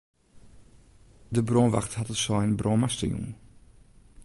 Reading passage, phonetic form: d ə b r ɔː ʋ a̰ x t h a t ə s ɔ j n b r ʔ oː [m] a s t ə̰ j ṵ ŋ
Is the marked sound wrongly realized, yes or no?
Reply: no